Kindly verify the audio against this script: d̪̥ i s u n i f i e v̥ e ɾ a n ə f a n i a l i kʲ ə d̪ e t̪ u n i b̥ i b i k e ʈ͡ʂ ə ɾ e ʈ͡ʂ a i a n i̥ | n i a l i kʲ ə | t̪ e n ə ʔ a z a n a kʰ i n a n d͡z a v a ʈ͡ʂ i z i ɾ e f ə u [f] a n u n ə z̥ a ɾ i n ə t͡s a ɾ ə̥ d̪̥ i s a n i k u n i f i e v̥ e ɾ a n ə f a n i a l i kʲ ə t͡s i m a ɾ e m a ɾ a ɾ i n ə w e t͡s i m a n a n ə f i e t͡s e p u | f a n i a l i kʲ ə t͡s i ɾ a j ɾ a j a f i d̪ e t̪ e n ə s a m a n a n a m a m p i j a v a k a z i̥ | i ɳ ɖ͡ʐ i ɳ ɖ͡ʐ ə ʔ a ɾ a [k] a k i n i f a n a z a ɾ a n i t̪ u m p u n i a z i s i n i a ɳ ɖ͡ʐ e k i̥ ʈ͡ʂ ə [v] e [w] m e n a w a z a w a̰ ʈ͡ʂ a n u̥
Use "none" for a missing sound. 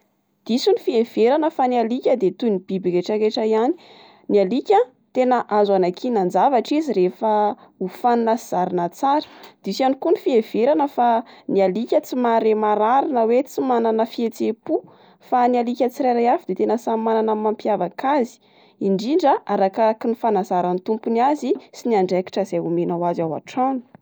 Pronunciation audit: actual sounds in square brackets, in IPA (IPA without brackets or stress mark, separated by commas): f, k, z, u